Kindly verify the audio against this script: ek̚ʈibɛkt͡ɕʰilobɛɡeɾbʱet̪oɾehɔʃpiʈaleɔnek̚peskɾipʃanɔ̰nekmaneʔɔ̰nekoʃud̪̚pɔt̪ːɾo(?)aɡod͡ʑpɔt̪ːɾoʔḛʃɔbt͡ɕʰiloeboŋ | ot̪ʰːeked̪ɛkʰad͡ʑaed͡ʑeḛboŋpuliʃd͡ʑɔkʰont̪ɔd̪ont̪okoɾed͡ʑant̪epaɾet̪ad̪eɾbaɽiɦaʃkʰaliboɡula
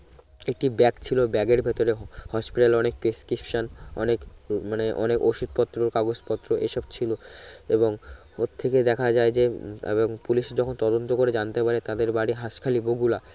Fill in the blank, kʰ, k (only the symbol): k